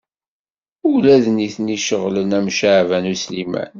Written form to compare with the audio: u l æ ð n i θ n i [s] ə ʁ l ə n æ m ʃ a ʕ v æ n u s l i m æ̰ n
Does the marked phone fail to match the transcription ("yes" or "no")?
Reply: yes